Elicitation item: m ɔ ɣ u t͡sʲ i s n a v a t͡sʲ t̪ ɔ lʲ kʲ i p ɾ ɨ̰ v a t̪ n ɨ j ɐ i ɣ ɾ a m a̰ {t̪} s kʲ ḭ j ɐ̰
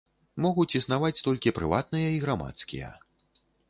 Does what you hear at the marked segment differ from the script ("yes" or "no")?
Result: no